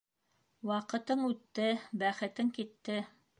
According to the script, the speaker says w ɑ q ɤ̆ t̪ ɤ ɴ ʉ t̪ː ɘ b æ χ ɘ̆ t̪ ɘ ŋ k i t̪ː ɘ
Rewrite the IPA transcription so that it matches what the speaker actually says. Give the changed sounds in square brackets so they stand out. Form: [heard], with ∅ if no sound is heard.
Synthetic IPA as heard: w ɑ q ɤ̆ t̪ ɤ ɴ ʉ t̪ː ɘ b æ χ ɘ̆ t̪ ɘ ŋ k i t̪ː ɘ